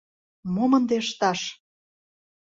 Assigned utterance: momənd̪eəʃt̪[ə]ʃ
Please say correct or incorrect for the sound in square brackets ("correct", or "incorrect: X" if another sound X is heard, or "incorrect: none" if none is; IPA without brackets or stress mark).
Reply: incorrect: ɑ